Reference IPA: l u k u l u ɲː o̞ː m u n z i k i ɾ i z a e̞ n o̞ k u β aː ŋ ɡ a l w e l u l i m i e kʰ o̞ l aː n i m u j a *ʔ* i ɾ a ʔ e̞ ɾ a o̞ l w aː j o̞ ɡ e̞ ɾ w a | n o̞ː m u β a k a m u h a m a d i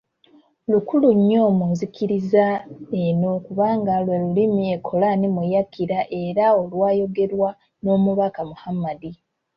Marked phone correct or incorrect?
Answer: incorrect